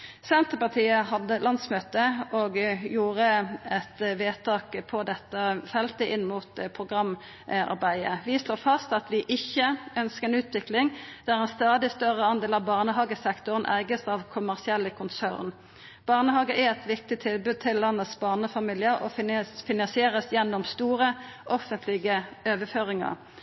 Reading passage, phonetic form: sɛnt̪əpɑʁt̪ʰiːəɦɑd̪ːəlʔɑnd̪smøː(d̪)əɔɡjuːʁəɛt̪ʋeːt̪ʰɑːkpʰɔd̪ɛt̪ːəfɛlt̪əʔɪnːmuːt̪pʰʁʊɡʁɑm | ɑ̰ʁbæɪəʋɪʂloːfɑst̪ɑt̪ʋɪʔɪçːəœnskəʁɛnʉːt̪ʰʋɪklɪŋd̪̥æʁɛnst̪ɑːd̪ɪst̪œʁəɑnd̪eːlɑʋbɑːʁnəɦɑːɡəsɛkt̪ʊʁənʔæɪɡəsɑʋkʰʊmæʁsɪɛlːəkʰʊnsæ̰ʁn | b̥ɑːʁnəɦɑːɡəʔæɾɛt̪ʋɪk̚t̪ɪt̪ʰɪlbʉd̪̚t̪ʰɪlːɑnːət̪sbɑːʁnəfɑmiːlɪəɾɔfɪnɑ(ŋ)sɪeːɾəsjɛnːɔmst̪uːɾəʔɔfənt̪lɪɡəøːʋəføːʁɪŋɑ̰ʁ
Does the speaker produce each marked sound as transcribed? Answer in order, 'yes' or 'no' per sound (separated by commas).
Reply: no, no